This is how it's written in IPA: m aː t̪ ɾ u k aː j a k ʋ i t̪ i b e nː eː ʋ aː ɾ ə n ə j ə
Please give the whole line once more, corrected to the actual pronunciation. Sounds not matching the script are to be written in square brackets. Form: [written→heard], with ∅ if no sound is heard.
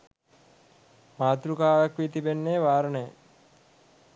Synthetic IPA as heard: m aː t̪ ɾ u k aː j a k ʋ i t̪ i b e nː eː ʋ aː ɾ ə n ə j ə